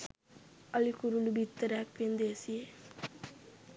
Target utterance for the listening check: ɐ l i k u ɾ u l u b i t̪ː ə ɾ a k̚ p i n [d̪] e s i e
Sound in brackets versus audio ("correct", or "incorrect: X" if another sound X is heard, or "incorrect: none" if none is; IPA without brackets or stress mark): correct